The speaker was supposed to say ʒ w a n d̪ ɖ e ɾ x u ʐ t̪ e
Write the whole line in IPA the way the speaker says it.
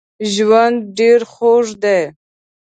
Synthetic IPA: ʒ w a n d̪ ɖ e ɾ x o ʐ d̪ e